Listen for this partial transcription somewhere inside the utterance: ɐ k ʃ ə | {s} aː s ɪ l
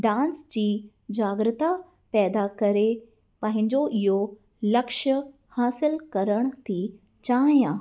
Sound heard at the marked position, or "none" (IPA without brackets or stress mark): h